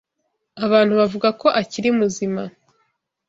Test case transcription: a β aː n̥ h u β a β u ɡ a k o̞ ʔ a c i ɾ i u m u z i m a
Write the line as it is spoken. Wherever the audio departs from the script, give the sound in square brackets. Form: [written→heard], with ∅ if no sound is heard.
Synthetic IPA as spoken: a β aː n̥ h u β a [β→v] u ɡ a k o̞ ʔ a c i ɾ i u m u z i m a